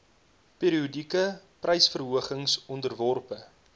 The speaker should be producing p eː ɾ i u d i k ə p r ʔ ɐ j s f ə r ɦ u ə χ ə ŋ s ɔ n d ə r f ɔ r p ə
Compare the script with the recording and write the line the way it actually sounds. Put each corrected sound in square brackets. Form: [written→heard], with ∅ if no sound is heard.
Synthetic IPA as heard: p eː ɾ i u d i k ə p r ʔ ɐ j s f ə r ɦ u ə χ ə ŋ s ɔ n d ə r [f→v] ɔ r p ə